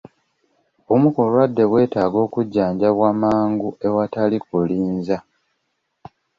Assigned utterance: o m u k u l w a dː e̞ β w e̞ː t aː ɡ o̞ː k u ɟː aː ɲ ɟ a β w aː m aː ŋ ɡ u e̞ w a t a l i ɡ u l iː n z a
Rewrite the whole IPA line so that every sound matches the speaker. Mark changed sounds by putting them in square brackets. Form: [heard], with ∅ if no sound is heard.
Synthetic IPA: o m u k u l w a dː e̞ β w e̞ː t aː ɡ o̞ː k u ɟː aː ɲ ɟ a β w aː m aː ŋ ɡ u e̞ w a t a l i [k] u l iː n z a